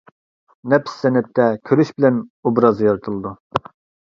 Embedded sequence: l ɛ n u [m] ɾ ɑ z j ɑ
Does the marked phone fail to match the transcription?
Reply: yes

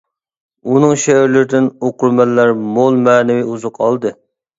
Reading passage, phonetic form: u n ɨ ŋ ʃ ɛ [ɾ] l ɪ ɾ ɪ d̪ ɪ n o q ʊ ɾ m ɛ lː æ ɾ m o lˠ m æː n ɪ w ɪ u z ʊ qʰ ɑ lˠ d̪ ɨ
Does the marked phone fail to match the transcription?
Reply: no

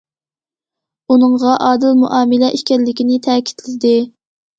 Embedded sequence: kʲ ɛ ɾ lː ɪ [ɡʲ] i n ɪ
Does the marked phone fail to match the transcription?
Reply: yes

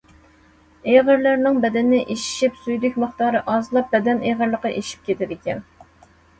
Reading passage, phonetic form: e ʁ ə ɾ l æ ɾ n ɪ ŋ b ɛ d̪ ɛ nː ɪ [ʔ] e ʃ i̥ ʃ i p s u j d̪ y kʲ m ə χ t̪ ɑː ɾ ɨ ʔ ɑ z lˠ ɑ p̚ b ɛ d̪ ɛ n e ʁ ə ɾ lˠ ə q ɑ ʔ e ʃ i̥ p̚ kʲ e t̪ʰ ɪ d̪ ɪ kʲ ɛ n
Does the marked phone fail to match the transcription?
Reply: no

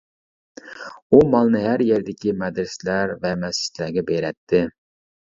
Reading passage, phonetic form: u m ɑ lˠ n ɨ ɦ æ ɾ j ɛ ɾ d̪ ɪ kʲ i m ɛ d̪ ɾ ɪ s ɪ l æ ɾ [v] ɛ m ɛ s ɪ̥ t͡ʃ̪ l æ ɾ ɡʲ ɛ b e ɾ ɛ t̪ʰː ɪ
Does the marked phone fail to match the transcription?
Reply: no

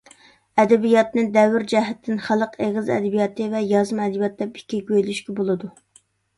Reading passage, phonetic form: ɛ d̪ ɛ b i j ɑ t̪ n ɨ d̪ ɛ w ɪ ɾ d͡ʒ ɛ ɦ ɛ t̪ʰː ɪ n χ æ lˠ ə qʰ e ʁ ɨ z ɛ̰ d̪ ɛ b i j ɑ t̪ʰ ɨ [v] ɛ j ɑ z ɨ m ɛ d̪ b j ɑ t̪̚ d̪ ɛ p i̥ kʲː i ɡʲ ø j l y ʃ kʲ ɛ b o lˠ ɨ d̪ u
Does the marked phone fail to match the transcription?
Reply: no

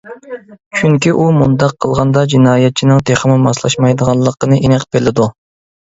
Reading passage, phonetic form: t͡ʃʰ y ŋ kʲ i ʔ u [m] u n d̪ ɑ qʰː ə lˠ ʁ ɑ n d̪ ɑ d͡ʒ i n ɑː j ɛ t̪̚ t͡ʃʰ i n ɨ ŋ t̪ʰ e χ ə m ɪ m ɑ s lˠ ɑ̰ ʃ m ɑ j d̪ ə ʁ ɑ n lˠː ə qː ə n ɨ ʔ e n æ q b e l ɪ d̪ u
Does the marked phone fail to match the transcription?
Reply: no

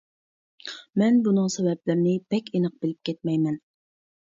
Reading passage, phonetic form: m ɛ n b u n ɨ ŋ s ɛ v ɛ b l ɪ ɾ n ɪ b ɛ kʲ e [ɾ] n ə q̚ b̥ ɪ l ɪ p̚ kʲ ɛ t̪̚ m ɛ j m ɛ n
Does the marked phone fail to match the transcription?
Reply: yes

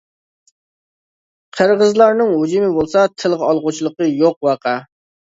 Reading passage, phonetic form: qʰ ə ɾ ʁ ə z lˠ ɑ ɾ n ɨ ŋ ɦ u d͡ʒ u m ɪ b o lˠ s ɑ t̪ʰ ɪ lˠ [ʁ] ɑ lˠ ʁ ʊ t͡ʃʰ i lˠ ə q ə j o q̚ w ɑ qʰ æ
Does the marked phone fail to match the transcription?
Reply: no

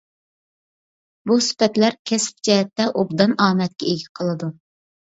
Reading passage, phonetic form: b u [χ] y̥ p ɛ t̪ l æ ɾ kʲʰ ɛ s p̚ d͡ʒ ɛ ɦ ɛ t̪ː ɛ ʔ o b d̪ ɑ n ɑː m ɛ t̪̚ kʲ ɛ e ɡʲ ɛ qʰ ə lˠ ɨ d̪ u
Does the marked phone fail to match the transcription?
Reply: yes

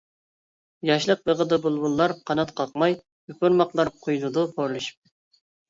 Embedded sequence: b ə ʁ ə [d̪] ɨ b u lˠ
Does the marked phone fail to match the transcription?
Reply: no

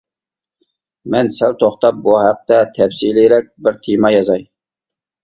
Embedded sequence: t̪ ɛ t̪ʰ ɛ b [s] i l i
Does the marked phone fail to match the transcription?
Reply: no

